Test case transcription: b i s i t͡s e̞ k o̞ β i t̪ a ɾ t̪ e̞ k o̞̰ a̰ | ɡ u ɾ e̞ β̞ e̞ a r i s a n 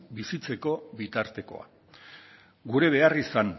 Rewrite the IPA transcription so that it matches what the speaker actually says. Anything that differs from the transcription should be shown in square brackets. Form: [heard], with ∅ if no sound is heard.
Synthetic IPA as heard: b i s i t͡s e̞ k o̞ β i t̪ a ɾ t̪ e̞ k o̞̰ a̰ | ɡ u ɾ e̞ β̞ e̞ a r i s a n